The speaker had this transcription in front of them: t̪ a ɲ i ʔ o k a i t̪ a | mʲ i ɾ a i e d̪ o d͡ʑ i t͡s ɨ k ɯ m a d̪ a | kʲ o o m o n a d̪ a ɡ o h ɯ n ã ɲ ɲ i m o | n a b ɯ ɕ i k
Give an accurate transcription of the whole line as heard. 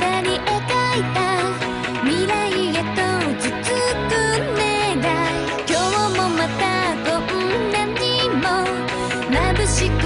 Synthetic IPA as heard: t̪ a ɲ i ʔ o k a i t̪ a | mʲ i ɾ a i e t̪ o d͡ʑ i t͡s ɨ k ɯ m e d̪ a | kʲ o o m o m a t̪ a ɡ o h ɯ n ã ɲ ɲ i m o | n a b ɯ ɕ i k